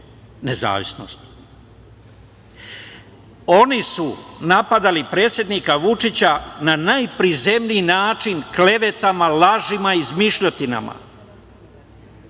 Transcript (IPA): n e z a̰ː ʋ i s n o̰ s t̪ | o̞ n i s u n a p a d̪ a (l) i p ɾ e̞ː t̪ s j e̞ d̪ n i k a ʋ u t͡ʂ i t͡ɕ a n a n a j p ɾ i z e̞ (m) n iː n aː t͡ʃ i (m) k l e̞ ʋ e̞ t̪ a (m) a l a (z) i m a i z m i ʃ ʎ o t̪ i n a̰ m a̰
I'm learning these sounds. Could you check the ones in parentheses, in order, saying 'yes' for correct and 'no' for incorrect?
yes, yes, no, yes, no

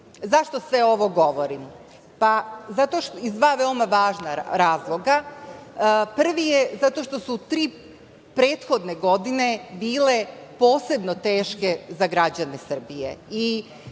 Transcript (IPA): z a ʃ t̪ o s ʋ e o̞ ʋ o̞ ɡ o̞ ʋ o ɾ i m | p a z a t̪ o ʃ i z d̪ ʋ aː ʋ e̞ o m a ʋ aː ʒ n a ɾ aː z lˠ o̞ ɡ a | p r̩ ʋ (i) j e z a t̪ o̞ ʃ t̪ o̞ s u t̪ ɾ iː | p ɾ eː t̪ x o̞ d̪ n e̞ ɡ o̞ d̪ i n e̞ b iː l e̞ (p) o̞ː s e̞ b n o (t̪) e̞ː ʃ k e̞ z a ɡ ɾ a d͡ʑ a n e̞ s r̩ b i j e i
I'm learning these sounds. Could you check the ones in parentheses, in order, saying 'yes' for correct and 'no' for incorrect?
yes, yes, yes

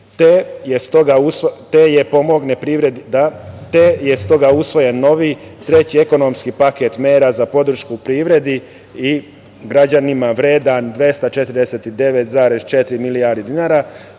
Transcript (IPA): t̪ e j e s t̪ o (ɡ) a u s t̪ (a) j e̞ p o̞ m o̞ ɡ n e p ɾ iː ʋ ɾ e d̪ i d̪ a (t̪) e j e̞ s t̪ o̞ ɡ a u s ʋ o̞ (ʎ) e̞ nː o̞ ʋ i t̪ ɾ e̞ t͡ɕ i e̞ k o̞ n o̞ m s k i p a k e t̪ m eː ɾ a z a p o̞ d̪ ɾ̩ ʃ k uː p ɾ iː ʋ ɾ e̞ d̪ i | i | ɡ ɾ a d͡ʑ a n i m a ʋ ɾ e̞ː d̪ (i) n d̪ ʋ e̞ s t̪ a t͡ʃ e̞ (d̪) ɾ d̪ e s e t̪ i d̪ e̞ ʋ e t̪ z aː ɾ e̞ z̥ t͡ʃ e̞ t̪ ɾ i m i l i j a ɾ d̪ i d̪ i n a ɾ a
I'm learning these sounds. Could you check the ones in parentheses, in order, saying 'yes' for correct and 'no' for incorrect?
yes, no, yes, no, no, no

